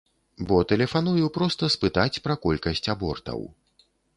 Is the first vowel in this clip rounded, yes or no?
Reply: yes